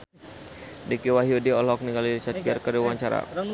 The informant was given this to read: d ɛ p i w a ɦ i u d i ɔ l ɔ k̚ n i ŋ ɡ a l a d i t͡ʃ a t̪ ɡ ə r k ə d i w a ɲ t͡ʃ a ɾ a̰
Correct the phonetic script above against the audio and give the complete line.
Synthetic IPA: d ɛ k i w a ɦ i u d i ɔ l ɔ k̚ n i ŋ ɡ a l i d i t͡ʃ a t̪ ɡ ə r k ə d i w a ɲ t͡ʃ a ɾ a̰